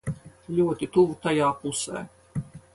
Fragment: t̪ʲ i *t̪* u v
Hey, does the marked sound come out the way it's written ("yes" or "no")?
yes